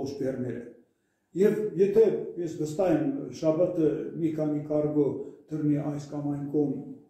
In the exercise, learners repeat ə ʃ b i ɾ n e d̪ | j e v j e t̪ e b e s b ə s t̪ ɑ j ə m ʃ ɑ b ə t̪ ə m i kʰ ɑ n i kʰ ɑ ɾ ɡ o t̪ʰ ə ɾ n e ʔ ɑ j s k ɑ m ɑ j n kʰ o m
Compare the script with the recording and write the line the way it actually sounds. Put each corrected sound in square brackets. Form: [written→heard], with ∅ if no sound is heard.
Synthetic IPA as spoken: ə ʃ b [i→e] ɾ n e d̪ | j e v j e t̪ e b e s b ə s t̪ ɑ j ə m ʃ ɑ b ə t̪ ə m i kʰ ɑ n i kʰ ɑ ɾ ɡ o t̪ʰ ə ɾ n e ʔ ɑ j s k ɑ m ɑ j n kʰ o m